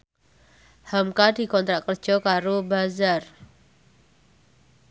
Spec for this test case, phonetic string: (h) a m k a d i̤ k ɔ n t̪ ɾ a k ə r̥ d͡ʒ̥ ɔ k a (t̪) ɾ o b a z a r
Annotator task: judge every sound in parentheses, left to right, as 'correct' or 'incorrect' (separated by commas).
correct, incorrect